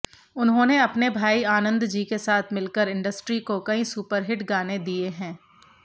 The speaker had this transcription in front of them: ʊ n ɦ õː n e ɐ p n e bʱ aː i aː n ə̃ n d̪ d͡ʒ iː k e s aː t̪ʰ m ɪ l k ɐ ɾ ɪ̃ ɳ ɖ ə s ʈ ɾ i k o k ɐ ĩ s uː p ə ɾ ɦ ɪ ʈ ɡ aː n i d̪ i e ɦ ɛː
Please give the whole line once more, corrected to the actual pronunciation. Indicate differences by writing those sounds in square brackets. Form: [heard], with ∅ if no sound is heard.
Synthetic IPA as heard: ʊ n ɦ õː n e ɐ p n e bʱ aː i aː n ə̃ n d̪ d͡ʒ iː k e s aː t̪ʰ m ɪ l k [ə] ɾ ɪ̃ ɳ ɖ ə s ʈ ɾ i k o k ɐ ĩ s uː p ə ɾ ɦ ɪ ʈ ɡ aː n [e] d̪ i e ɦ [ɛ̃ː]